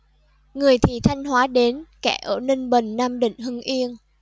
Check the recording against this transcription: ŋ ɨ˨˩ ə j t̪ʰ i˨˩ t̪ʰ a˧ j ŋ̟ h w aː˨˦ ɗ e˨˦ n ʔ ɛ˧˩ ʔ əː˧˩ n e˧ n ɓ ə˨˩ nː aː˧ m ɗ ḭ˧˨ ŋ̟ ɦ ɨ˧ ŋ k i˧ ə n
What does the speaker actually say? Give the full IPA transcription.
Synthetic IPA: ŋ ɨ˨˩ ə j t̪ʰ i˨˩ t̪ʰ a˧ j ŋ̟ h w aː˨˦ ɗ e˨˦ n k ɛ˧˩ ʔ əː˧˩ n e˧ n ɓ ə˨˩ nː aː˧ m ɗ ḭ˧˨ ŋ̟ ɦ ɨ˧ ŋ ʔ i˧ ə n